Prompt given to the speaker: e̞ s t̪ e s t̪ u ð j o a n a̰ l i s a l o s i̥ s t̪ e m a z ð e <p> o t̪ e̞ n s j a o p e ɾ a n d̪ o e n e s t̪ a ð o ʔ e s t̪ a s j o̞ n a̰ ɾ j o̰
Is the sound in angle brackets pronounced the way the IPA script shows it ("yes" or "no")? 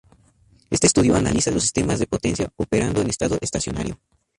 yes